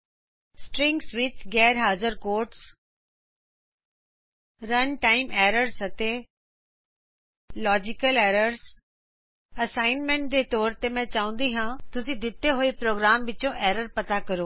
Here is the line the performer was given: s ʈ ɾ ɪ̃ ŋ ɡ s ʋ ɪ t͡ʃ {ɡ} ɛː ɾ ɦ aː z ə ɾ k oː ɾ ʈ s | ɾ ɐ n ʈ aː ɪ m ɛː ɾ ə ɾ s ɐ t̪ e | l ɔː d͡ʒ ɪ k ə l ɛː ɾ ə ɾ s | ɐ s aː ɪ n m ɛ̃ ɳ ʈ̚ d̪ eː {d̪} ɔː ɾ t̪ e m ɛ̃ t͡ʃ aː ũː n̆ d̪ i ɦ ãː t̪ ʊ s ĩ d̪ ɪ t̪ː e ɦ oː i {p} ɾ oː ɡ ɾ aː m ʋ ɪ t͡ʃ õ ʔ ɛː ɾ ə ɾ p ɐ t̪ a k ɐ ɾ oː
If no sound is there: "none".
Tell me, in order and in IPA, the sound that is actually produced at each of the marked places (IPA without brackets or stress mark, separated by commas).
ɡ, t̪, p